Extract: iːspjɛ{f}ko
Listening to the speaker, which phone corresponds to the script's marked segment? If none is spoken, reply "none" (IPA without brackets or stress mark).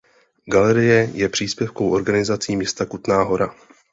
f